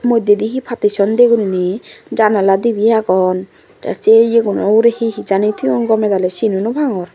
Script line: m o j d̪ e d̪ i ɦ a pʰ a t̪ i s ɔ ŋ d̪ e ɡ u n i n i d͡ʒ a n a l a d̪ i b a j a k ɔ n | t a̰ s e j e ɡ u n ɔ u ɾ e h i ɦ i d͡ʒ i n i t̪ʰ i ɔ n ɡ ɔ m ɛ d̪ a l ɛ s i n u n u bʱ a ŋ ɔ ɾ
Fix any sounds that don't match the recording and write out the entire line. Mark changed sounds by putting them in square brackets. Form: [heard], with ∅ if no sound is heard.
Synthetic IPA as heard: m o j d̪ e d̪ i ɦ [i] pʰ a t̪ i s ɔ [n] d̪ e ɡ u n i n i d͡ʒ a n a l a d̪ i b [i] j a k ɔ n | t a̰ s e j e ɡ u n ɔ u ɾ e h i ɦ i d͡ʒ [a] n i t̪ʰ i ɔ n ɡ ɔ m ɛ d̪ a l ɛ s i n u n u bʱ a ŋ ɔ ɾ